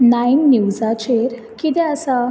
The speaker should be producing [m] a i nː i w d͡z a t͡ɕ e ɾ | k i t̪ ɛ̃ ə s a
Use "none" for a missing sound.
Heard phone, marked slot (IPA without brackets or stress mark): n